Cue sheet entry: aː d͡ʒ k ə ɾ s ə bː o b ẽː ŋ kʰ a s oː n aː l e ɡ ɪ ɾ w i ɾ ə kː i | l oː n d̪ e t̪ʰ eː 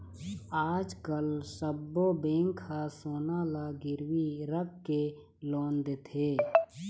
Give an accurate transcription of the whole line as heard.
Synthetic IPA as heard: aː d͡ʒ k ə l s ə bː o b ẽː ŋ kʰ a s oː n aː l a ɡ ɪ ɾ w i ɾ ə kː e | l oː n d̪ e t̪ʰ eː